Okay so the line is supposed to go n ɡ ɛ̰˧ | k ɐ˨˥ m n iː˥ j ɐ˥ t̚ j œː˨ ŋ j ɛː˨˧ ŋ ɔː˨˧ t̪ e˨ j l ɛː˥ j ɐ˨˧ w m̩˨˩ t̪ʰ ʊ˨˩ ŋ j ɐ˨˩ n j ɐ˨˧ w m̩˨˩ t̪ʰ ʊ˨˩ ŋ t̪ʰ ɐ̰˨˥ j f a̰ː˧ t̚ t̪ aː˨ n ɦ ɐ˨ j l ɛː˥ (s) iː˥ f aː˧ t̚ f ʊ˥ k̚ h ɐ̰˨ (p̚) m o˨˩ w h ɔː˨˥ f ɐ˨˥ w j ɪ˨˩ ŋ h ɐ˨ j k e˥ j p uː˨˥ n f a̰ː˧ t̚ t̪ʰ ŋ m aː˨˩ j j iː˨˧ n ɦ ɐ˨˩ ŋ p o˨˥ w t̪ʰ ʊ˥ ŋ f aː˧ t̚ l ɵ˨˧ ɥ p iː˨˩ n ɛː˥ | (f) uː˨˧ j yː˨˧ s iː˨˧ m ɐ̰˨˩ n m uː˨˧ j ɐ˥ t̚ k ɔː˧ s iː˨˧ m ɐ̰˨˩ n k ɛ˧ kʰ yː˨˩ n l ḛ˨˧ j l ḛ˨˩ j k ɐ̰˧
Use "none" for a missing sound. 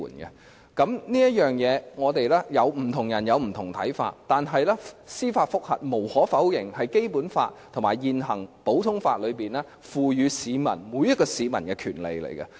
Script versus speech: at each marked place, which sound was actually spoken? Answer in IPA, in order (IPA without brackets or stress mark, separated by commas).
s, t̚, f